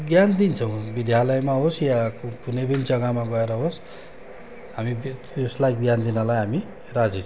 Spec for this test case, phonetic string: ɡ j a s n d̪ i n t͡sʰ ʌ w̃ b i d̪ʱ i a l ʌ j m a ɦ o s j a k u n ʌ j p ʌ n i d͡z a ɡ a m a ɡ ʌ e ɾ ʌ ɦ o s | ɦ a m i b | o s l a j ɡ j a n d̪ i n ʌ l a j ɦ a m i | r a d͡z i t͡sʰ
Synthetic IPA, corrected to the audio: ɡ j a n d̪ i n t͡sʰ ʌ w̃ b i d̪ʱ j a l ʌ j m a ɦ o s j a k u n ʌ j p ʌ n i d͡z ʌ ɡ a m a ɡ ʌ e ɾ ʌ ɦ o s | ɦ a m i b | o s l a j ɡ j a n d̪ i n ʌ l a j ɦ a m i | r a d͡z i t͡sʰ